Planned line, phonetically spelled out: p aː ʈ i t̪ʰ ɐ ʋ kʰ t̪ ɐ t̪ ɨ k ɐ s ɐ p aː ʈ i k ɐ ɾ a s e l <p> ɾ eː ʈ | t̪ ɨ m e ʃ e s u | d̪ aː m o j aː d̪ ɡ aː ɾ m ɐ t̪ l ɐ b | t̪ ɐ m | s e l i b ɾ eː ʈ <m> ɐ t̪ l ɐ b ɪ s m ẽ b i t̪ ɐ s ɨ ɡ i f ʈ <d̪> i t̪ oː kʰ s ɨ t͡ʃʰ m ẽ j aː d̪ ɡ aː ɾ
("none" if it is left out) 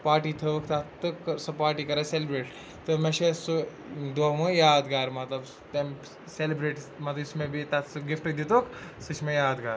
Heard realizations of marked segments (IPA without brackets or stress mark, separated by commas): b, m, d̪